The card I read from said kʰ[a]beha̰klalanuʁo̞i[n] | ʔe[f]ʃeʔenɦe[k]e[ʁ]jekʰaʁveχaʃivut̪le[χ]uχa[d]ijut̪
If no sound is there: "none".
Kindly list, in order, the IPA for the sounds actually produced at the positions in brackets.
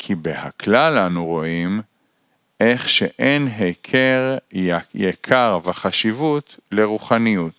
i, m, χ, kʰ, ʁ, ʁ, n

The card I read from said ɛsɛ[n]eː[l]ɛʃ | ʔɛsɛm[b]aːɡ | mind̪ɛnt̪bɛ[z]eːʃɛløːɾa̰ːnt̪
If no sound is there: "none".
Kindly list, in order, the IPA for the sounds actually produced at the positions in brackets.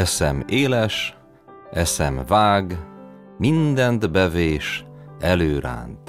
m, l, v, v

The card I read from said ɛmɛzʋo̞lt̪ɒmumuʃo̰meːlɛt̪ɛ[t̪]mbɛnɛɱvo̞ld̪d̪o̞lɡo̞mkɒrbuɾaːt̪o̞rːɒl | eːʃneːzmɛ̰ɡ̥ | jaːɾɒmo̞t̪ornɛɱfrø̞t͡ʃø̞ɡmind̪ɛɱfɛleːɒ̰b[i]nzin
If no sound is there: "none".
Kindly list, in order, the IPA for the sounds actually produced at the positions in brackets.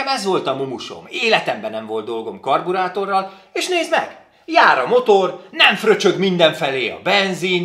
none, ɛ

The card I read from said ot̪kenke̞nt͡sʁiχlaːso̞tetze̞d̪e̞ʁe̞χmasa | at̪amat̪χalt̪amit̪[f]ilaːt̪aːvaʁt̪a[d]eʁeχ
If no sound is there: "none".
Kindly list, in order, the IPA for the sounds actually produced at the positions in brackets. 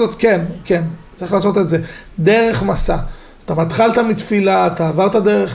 f, d

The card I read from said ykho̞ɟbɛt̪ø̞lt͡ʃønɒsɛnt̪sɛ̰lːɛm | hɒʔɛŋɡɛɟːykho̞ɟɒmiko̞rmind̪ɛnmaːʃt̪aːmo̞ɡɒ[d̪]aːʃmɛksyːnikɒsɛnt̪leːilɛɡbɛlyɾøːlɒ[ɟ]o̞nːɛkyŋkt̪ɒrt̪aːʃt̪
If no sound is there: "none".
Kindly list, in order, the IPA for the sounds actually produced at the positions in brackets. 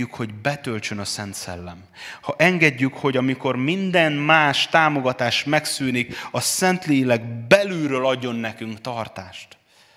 t̪, ɟː

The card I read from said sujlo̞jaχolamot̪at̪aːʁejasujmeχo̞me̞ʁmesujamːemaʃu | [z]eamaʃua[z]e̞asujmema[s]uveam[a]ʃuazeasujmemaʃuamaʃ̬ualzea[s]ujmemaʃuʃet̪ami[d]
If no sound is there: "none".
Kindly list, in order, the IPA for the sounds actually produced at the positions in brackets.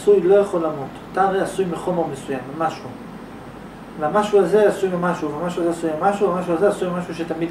v, z, ʃ, a, s, d

